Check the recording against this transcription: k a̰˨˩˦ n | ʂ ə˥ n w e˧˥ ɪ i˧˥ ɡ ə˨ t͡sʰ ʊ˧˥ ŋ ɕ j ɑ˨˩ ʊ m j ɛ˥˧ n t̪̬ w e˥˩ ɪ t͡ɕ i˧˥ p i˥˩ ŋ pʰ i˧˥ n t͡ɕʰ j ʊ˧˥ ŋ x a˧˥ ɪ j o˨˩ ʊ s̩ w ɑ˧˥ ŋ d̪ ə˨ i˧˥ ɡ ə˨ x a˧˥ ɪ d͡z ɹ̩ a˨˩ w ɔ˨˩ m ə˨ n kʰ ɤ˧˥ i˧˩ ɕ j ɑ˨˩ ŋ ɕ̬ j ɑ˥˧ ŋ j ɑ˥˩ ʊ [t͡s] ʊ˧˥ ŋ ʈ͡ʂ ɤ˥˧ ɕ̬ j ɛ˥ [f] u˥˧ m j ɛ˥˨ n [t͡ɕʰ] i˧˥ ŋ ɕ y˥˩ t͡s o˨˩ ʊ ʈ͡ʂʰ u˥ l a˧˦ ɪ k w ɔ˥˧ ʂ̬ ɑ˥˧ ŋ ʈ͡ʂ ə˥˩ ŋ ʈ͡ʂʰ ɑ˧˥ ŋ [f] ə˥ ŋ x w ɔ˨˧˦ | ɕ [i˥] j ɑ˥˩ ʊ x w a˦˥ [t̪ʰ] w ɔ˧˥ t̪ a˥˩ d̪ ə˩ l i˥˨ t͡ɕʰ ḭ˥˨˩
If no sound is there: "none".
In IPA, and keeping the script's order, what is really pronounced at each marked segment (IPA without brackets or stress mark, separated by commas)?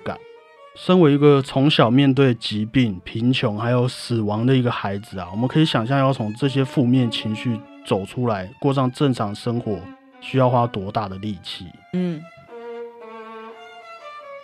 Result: t͡sʰ, f, t͡ɕʰ, ʂ, y˥, t̪